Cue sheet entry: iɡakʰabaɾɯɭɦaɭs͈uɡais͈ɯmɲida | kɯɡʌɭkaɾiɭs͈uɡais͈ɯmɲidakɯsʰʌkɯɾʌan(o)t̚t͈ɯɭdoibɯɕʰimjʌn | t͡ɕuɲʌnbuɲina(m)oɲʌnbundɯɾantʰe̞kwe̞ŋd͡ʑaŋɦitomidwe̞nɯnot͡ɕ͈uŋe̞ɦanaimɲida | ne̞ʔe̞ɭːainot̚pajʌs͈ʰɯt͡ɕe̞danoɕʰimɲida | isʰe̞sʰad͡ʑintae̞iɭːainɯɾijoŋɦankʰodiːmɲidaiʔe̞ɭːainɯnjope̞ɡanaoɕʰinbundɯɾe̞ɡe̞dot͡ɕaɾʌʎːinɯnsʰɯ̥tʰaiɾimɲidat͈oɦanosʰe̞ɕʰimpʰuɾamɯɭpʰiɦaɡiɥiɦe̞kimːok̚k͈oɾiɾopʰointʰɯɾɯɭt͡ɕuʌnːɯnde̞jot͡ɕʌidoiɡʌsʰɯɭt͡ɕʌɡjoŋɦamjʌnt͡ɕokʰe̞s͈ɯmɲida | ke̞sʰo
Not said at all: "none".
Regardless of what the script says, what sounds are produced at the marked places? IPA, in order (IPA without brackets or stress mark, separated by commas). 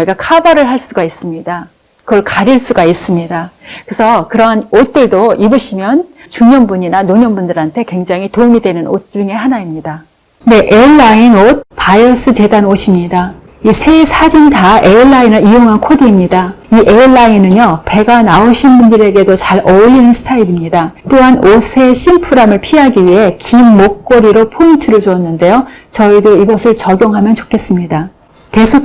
o, n